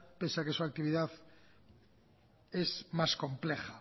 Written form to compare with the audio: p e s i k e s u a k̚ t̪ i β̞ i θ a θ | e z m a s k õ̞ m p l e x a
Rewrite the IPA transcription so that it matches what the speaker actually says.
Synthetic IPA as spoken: p e s a k e s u a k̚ t̪ i β̞ i ð a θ | e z m a s k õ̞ m p l e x a